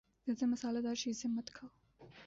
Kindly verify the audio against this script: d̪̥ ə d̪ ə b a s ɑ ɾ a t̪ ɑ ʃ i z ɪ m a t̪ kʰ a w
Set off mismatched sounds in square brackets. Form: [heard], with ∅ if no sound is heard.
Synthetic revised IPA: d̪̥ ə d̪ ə [m] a s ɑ [l] a [d̪] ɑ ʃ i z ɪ m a t̪ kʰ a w